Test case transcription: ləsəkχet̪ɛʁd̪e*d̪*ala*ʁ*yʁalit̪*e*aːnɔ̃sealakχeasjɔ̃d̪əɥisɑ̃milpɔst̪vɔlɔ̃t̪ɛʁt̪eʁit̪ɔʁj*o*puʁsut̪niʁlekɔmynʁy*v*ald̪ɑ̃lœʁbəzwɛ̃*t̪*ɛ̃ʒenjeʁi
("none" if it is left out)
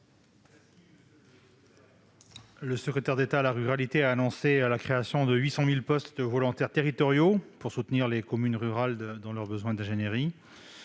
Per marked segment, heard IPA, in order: t̪, ʁ, e, o, ʁ, d̪

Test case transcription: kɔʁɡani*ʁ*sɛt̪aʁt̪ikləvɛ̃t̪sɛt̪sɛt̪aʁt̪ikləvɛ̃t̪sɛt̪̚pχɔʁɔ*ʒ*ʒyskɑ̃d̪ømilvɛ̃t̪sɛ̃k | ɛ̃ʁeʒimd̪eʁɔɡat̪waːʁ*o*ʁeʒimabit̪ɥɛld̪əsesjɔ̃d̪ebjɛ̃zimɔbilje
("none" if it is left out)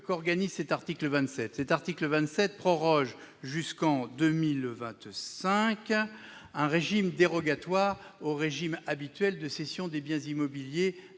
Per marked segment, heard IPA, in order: z, ʒ, o

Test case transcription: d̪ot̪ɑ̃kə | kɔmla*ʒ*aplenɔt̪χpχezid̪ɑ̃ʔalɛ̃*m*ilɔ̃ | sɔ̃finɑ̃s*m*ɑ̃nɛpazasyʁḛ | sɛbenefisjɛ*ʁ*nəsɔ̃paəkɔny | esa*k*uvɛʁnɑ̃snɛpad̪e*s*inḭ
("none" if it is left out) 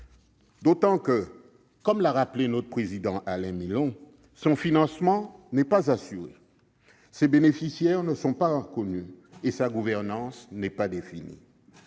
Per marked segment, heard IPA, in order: ʁ, m, m, ʁ, ɡ, f

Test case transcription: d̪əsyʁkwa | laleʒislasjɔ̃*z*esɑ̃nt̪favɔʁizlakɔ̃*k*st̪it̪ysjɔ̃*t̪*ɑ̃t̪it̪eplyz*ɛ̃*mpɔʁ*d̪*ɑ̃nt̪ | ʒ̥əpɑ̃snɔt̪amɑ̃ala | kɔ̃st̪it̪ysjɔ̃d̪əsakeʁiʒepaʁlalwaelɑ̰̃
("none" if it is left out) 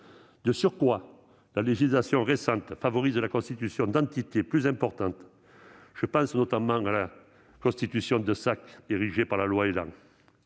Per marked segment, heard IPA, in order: ʁ, none, d̪, ɛ̃, t̪

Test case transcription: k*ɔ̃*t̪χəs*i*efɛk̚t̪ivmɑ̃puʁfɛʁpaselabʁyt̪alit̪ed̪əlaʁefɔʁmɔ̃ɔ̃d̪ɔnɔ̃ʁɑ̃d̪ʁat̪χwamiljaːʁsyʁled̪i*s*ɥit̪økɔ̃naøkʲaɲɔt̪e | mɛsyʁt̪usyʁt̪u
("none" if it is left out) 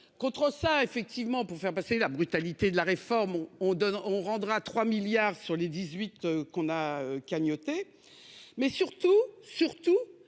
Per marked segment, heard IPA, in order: ɔ̃, a, z

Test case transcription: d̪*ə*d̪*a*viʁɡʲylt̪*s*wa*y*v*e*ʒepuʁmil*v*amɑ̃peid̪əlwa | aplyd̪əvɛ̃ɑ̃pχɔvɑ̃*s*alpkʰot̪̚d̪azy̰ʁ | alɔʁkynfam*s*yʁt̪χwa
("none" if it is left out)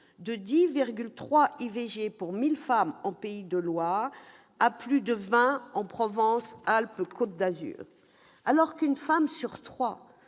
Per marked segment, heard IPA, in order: ə, i, χ, i, e, f, s, s

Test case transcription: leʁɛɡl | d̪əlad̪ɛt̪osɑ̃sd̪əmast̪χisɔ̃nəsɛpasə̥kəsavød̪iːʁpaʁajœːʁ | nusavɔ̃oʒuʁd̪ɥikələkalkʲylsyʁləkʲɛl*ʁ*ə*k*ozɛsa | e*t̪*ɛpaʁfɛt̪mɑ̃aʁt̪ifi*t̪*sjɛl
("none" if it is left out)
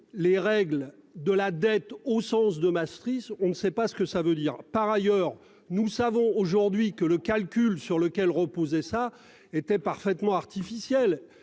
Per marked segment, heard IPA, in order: ʁ, p, t̪, none

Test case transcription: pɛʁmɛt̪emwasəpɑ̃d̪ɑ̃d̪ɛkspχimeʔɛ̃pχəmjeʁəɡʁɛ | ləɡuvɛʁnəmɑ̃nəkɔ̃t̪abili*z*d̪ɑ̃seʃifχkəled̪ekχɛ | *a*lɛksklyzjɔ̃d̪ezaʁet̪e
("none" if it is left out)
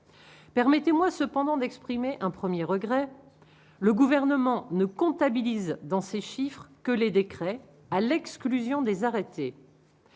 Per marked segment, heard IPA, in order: z, a

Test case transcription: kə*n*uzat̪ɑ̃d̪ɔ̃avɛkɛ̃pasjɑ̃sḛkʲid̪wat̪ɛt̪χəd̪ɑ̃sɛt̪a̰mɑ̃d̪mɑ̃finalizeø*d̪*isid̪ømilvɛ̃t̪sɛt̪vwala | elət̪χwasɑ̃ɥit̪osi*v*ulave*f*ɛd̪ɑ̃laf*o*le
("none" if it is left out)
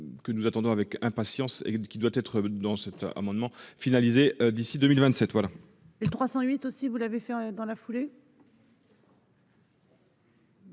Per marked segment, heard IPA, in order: n, d̪, v, f, u

